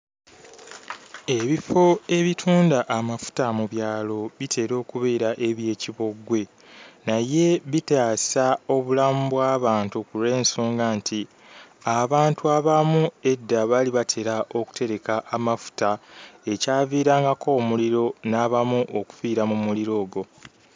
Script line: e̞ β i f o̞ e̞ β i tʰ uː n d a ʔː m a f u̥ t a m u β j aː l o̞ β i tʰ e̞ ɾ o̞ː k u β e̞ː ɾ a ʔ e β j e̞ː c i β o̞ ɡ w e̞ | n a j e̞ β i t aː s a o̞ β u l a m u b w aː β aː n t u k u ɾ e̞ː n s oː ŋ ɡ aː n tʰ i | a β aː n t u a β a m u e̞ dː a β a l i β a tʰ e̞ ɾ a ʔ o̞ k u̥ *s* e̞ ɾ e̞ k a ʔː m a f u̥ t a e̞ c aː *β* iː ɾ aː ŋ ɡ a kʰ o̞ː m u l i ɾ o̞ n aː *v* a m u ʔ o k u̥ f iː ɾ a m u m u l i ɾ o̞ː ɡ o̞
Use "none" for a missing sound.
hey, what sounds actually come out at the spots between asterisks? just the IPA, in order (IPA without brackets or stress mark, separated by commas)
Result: t, v, β